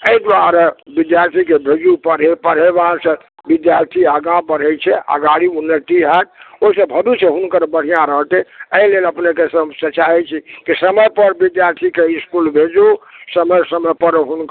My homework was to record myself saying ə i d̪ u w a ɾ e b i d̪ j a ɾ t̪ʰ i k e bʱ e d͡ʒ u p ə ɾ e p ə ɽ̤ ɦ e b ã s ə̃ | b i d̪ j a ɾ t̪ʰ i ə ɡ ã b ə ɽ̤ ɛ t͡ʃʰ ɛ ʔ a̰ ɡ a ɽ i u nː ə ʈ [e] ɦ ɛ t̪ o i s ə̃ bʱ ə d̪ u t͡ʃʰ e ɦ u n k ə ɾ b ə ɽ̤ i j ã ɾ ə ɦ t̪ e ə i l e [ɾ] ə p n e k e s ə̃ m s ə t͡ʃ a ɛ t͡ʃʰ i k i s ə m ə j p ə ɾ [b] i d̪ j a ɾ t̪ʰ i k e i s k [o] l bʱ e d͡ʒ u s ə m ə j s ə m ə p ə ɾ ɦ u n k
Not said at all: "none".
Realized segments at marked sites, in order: i, l, b, u

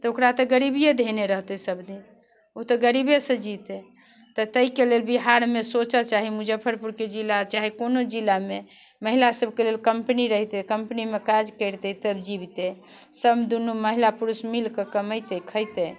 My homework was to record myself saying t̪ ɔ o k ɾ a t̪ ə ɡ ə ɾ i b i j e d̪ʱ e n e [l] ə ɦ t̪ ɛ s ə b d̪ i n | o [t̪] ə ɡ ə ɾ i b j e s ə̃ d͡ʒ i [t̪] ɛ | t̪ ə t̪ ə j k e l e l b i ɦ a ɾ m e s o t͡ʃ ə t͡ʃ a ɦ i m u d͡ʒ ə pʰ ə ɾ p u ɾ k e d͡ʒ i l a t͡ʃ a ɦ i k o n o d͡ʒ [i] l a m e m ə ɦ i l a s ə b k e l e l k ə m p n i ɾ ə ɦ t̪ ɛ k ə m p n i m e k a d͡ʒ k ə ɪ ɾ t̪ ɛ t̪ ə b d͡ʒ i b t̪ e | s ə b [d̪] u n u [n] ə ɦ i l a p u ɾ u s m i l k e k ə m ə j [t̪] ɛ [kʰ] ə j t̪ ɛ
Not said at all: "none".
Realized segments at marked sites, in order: ɾ, t̪, t̪, i, d̪, m, t̪, kʰ

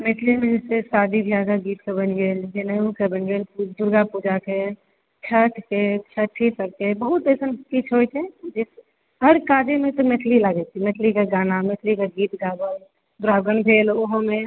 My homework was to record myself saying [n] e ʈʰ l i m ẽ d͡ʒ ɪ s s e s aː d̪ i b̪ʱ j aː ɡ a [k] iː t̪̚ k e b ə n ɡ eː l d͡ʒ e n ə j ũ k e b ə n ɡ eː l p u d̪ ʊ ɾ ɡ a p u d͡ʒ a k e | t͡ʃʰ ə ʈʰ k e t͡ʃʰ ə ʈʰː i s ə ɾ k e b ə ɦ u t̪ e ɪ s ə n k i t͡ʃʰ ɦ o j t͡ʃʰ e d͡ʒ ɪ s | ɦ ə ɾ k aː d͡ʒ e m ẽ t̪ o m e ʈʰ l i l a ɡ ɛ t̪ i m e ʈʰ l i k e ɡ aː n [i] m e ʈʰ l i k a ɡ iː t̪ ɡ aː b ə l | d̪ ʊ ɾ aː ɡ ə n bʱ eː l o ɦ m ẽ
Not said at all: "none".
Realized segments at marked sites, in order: m, ɡ, a

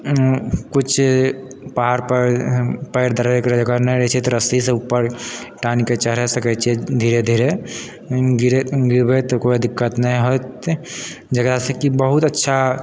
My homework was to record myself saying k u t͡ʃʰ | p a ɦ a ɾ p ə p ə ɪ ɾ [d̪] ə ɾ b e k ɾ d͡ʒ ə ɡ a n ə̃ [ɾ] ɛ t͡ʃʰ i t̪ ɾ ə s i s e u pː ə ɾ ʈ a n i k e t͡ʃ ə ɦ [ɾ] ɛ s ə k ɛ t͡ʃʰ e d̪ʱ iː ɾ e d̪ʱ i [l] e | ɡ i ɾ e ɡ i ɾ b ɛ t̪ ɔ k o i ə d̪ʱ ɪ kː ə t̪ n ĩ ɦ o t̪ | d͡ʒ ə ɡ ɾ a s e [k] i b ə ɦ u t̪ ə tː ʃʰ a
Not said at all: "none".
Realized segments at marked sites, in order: d̪, ɾ, ɾ, ɾ, k

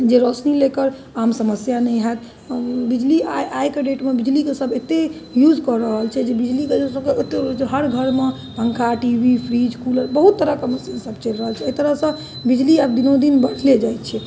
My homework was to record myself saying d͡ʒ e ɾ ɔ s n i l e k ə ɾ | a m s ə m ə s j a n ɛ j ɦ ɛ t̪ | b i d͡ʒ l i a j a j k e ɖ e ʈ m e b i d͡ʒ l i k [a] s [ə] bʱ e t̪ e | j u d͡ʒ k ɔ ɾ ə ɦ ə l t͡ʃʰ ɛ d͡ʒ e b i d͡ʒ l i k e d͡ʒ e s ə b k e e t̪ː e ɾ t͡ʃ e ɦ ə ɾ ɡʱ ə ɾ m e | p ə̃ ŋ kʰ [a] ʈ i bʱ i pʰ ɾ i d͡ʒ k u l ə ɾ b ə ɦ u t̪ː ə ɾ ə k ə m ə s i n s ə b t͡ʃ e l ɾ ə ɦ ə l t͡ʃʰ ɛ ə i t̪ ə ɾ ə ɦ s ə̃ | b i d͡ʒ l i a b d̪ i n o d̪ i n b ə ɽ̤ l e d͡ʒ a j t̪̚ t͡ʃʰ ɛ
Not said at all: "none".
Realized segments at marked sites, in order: e, ə, a

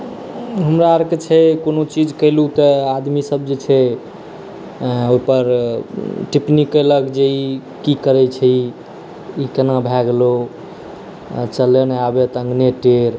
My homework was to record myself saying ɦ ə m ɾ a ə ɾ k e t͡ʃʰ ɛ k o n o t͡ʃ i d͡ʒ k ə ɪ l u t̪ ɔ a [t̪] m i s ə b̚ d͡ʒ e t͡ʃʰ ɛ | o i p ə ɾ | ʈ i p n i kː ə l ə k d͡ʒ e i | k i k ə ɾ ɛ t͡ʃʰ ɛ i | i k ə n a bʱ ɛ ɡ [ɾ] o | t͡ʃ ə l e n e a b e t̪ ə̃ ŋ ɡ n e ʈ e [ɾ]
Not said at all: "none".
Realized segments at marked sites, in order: d̪, l, ɾ

